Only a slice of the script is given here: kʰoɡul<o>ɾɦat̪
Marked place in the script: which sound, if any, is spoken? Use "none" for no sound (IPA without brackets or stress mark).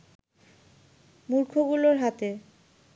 o